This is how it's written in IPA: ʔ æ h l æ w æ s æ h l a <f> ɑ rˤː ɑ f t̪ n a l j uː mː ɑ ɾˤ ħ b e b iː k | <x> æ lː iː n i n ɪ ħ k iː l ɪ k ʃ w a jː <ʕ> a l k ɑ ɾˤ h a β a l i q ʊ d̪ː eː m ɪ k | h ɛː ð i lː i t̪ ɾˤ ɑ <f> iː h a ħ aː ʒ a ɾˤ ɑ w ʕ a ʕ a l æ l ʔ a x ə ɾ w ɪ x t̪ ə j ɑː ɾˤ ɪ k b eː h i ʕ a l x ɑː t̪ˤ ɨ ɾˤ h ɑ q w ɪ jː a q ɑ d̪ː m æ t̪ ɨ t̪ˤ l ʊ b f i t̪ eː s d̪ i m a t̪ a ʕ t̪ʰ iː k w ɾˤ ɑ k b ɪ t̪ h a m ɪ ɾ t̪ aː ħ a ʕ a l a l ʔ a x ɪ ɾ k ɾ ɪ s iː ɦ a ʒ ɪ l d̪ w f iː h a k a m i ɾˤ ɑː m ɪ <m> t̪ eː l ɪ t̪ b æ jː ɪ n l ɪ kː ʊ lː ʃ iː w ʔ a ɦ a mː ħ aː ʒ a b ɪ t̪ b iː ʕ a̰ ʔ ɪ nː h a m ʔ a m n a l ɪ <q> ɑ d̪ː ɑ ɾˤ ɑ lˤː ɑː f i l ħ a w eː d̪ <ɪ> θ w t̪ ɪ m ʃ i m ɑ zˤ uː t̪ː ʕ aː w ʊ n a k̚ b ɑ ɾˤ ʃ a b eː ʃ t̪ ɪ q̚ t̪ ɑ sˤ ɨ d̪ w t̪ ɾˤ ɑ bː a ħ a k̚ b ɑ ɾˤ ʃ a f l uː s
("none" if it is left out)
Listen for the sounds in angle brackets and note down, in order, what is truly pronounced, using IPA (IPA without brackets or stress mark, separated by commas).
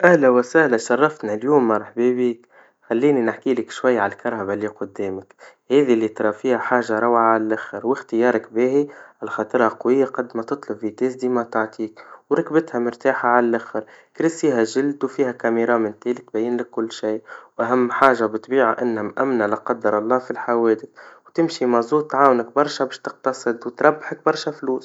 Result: ʃ, x, ʕ, f, n, q, ɪ